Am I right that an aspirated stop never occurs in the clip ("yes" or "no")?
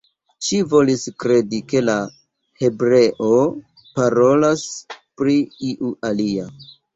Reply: yes